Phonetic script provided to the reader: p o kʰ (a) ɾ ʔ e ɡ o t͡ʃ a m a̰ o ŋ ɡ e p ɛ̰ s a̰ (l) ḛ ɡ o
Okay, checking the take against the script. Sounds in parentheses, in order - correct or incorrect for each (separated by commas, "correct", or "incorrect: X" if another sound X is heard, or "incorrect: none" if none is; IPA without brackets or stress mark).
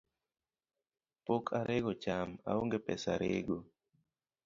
correct, incorrect: ɾ